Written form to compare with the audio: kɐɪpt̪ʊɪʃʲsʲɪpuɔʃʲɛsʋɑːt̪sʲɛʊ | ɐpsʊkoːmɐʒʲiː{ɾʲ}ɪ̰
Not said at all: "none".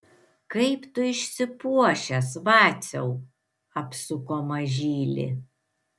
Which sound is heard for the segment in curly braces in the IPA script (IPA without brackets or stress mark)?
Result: lʲ